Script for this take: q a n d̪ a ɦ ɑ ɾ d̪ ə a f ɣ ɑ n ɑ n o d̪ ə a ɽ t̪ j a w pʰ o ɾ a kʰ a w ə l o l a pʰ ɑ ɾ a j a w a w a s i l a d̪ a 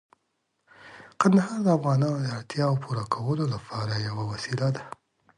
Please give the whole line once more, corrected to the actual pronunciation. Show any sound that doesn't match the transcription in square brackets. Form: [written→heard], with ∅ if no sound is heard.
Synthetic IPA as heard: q a n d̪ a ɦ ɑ ɾ d̪ ə a f ɣ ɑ n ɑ n o d̪ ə a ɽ t̪ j [a→ɑ] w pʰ [o→u] ɾ a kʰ a w ə l o l a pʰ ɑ ɾ a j a w a w a s i l a d̪ a